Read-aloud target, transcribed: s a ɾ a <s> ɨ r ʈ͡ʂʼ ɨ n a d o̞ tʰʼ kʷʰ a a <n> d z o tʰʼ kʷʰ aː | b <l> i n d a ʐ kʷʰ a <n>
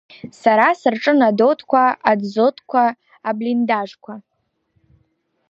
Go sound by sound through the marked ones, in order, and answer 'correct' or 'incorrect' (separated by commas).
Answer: correct, incorrect, correct, incorrect